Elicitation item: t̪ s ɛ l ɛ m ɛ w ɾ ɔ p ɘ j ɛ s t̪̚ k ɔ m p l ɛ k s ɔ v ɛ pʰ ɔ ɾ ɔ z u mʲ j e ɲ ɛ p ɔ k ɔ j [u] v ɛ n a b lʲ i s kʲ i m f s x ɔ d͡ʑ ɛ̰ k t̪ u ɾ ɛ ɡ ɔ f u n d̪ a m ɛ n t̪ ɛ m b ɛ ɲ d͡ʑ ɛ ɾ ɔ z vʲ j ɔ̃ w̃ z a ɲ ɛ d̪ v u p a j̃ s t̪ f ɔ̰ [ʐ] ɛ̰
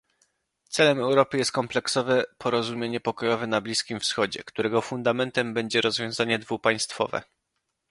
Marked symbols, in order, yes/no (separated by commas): no, no